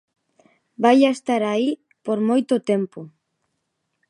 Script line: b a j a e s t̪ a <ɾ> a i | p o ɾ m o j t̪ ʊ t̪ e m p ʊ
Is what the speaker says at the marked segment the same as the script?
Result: yes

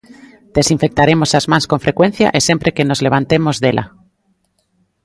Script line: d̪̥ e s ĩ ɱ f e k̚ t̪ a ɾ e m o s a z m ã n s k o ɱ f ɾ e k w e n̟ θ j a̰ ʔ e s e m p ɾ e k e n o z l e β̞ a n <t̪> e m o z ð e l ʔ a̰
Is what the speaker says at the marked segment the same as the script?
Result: yes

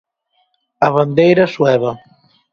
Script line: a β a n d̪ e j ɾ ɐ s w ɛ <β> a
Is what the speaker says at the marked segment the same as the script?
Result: yes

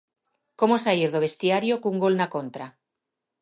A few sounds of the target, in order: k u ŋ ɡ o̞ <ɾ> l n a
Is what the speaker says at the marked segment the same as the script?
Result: no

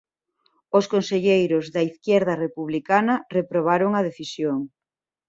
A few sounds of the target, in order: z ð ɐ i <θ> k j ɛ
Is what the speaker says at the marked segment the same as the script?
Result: yes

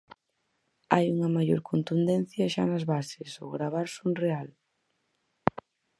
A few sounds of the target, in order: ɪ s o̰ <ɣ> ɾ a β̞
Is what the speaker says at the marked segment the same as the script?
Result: yes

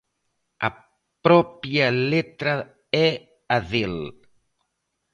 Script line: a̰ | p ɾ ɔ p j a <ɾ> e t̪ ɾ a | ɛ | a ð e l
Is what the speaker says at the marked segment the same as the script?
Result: no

